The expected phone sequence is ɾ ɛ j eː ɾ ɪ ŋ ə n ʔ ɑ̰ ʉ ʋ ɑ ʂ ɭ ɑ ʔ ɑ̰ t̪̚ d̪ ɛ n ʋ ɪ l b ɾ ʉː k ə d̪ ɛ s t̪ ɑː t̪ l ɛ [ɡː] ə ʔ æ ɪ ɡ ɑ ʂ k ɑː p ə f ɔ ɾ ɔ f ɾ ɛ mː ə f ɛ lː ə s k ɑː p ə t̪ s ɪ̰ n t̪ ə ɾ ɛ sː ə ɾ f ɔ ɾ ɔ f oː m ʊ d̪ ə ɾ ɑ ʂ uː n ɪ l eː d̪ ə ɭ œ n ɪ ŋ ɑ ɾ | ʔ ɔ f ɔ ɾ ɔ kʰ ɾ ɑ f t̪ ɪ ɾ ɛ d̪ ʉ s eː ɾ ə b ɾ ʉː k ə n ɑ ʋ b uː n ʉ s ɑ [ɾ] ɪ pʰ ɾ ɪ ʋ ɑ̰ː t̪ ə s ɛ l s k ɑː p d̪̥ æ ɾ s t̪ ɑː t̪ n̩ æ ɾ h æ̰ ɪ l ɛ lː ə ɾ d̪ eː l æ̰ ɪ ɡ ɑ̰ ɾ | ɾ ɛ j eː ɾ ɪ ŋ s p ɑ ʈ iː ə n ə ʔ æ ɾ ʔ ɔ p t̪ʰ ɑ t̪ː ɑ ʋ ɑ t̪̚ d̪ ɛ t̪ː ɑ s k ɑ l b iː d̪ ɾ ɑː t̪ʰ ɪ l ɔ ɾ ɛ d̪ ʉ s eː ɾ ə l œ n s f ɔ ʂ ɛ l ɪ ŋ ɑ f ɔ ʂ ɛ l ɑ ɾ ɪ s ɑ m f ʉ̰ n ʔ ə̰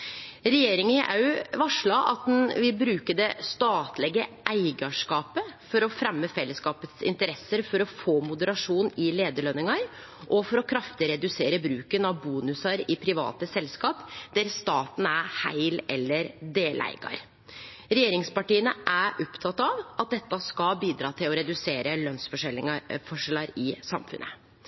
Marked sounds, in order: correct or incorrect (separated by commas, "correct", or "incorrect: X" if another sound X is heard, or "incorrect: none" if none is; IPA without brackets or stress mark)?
incorrect: ɡ, correct